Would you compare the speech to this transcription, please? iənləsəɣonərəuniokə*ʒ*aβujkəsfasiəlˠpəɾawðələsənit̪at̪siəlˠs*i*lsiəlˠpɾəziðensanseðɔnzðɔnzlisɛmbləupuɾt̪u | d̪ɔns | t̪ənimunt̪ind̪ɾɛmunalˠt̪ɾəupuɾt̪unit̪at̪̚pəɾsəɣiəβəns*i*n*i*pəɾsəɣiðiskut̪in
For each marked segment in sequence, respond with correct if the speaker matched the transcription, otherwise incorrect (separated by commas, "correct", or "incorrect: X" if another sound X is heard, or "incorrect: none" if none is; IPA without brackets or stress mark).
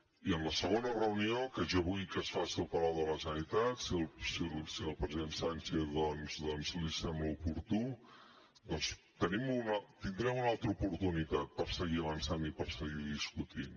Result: correct, correct, incorrect: a, correct